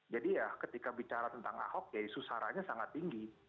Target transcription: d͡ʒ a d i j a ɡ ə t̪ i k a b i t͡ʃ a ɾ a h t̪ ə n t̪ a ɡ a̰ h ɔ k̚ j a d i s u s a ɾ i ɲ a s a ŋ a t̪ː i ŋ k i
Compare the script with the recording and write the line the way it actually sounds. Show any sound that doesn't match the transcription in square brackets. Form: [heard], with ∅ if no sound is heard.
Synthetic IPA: d͡ʒ a d i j a [k] ə t̪ i k a b i t͡ʃ a ɾ a [∅] t̪ ə n t̪ a [ŋ] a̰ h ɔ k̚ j a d i s u s a ɾ [a] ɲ a s a ŋ a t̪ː i ŋ [ɡ] i